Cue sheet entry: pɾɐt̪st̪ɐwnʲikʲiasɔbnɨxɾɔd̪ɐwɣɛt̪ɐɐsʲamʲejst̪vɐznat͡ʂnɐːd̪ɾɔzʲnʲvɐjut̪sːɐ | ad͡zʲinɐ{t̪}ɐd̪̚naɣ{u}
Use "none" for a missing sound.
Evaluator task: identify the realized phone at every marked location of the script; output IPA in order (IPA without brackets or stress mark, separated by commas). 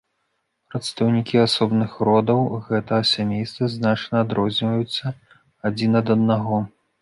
d̪, ɔ